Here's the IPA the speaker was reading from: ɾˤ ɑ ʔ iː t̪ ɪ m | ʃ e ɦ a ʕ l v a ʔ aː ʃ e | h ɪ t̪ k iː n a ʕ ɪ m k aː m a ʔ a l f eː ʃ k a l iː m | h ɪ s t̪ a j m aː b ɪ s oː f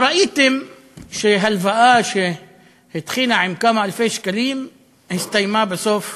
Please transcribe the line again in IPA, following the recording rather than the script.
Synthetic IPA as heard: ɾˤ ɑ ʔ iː t̪ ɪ m | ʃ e ɦ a l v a ʔ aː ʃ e | h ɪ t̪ x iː n a ʕ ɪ m k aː m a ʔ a l f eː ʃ k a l iː m | h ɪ s t̪ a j m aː b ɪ s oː f